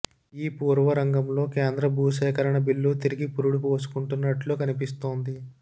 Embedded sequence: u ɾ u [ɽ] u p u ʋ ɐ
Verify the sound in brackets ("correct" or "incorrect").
correct